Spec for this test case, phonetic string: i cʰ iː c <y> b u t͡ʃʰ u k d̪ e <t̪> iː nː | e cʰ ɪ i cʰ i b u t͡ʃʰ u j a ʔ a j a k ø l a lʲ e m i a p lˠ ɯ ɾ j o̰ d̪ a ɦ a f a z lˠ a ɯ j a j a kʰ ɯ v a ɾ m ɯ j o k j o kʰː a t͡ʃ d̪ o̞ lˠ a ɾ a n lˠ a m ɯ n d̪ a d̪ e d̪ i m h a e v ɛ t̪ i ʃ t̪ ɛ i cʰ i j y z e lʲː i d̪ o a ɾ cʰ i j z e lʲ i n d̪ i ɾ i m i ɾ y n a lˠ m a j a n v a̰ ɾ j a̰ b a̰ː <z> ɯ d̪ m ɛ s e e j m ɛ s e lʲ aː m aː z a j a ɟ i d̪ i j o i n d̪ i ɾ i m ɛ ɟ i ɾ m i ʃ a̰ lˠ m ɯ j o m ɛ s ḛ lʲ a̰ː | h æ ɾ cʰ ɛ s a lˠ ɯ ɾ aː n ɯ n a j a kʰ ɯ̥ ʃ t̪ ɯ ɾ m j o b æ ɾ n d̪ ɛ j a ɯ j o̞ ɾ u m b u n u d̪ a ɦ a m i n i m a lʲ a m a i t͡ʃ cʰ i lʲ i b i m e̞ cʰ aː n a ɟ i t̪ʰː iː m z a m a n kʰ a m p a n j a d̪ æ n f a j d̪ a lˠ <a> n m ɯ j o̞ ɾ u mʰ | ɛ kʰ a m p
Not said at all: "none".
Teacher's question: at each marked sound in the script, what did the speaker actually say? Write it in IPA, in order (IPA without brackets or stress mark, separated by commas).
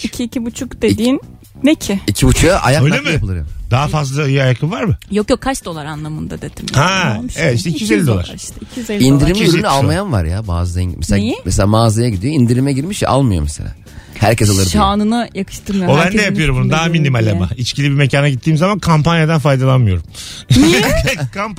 i, d̪, z, a